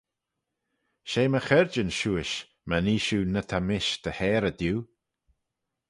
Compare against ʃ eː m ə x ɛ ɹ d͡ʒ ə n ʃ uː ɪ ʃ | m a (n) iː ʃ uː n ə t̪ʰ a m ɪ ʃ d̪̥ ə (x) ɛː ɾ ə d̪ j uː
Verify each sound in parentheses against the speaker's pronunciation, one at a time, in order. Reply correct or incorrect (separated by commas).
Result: correct, incorrect